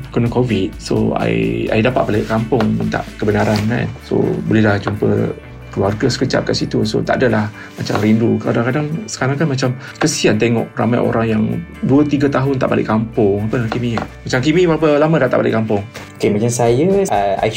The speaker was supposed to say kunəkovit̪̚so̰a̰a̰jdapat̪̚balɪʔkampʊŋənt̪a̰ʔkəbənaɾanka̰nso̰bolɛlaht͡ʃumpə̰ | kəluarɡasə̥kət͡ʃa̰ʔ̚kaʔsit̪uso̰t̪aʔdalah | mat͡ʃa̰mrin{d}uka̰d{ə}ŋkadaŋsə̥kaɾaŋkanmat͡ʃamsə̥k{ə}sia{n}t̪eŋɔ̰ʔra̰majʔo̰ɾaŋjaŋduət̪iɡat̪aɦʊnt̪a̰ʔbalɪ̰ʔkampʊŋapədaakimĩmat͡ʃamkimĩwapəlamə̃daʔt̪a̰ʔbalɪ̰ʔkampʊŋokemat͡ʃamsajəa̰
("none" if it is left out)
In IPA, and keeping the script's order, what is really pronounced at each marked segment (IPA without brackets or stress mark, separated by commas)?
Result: d, a, ə, n